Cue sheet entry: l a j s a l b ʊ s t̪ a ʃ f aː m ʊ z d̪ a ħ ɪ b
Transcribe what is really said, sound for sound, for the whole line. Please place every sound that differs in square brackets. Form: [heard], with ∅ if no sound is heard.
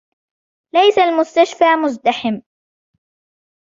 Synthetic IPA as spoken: l a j s a l [m] ʊ s t̪ a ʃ f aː m ʊ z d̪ a ħ ɪ [m]